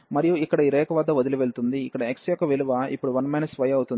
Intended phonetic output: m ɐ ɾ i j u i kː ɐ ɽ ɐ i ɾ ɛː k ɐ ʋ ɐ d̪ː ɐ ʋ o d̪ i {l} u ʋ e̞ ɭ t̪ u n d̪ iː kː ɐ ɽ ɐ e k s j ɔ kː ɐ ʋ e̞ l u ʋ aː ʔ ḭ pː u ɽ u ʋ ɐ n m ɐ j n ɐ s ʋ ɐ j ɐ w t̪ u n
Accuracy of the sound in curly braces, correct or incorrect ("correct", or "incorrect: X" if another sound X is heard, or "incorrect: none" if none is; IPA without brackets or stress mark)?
correct